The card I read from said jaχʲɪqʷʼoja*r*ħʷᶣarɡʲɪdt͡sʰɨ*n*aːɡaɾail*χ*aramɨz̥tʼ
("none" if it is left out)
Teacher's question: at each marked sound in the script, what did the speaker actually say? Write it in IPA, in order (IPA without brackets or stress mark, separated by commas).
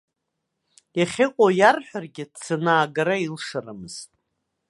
r, n, ʂ